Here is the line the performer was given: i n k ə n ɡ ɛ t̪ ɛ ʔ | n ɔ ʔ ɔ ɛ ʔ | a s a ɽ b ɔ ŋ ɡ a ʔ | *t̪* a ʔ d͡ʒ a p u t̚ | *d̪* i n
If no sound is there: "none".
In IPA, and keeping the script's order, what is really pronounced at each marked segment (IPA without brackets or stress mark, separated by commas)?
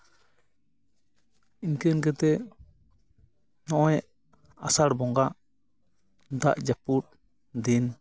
d̪, d̪